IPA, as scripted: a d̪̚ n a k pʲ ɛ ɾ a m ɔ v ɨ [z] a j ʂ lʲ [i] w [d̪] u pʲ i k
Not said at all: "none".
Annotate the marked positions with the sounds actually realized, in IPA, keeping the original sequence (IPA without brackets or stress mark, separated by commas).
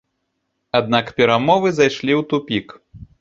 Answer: z, i, t̪